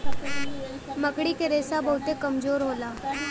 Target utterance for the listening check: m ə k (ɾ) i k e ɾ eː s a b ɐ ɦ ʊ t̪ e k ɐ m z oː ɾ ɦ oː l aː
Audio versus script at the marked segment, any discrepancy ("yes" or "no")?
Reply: yes